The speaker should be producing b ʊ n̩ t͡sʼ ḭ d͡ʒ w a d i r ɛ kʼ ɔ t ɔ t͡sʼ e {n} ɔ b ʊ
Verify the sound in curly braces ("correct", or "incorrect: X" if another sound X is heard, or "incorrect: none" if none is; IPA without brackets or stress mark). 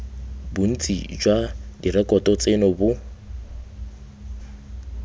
correct